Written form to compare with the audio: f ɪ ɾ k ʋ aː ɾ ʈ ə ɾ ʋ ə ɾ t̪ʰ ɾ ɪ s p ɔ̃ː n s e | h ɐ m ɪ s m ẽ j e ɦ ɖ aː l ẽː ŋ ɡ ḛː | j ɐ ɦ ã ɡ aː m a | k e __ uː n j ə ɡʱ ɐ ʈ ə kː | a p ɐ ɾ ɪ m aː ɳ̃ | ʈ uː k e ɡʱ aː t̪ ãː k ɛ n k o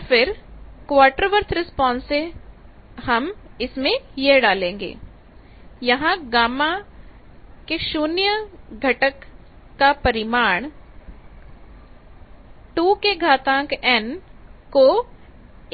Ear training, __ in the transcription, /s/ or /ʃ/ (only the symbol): ʃ